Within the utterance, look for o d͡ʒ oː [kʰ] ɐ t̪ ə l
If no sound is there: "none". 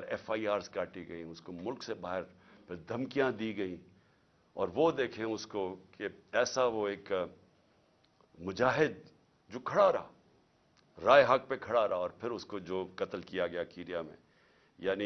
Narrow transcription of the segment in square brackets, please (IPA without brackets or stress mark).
k